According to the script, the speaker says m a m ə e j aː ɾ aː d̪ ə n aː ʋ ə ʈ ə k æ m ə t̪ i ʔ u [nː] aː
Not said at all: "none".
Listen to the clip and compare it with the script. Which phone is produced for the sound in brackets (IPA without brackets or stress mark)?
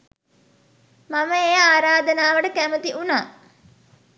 n